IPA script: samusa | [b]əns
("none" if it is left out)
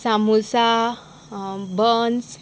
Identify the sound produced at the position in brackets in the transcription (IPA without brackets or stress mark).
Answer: b